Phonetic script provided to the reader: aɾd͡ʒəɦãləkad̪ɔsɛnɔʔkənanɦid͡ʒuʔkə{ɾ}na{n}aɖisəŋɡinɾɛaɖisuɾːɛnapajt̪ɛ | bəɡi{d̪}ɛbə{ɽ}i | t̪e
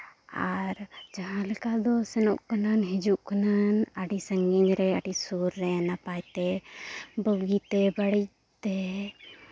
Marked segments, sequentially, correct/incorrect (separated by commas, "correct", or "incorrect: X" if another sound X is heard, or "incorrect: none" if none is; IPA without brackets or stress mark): incorrect: none, correct, incorrect: t̪, correct